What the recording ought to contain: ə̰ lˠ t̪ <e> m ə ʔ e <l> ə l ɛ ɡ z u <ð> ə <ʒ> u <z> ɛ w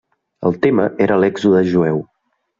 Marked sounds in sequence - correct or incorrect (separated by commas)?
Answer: correct, incorrect, correct, correct, incorrect